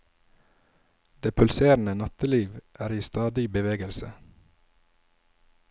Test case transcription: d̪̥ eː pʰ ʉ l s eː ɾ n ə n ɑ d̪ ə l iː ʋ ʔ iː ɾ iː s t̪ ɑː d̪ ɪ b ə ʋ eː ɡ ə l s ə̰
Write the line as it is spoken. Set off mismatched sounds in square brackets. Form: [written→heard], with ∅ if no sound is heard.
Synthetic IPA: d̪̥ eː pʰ ʉ l s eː ɾ n ə n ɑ [d̪→t̪] ə l iː ʋ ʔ [iː→æː] ɾ iː s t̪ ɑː d̪ ɪ b ə ʋ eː ɡ ə l s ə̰